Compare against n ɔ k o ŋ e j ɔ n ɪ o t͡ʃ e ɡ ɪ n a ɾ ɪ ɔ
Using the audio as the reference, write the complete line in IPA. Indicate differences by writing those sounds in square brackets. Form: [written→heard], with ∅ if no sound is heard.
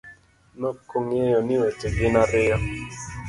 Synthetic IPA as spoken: n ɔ k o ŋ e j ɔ n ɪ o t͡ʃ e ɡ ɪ n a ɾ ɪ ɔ

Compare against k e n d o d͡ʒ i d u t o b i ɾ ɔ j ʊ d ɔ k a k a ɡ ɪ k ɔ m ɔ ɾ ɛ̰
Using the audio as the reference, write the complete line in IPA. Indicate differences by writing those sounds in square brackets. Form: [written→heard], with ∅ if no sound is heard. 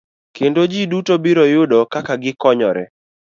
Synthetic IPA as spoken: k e n d o d͡ʒ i d u t o b i ɾ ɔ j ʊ d ɔ k a k a ɡ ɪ k ɔ [m→ɲ] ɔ ɾ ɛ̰

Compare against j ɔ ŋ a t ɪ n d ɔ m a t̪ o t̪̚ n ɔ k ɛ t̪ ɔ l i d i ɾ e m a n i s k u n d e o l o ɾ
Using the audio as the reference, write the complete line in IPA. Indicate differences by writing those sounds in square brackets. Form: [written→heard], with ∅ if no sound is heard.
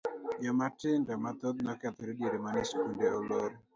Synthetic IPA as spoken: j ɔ [ŋ→m] a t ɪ n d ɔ m a t̪ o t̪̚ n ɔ k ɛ t̪ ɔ [l→ɾ] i d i ɾ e m a n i s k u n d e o l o ɾ

